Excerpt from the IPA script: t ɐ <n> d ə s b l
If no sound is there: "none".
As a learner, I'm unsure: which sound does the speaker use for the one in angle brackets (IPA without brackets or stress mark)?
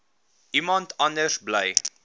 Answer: n